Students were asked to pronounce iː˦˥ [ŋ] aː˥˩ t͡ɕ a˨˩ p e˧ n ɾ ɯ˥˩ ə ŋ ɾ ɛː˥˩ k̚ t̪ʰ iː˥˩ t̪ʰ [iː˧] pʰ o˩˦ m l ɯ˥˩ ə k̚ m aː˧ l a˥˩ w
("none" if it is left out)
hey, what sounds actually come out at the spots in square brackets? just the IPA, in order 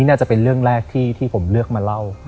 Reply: n, iː˥˩

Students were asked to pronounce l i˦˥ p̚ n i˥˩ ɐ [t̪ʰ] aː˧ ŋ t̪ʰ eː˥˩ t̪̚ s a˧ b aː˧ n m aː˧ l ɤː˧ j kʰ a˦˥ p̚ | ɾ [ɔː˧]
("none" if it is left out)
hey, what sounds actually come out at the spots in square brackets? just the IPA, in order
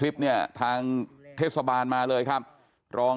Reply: t̪ʰ, ɔː˧

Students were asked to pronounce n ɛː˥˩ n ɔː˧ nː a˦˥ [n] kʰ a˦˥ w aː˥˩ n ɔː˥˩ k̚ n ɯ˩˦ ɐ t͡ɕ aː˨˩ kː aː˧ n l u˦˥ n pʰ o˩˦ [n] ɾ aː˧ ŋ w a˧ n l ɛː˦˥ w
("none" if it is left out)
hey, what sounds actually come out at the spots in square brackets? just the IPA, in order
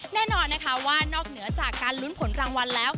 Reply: none, n

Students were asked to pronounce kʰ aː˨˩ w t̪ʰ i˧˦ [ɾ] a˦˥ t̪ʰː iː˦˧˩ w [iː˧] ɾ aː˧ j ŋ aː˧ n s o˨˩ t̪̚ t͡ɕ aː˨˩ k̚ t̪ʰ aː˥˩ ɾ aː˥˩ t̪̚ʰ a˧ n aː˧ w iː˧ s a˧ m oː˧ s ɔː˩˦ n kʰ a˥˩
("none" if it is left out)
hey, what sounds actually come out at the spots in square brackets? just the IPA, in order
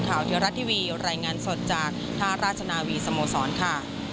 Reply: ɾ, iː˧

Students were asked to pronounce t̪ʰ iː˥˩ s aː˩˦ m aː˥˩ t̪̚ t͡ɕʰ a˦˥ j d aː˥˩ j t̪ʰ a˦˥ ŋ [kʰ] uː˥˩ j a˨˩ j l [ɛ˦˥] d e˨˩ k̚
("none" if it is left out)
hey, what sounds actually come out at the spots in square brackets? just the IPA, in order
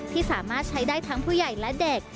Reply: pʰ, ɛ˦˥

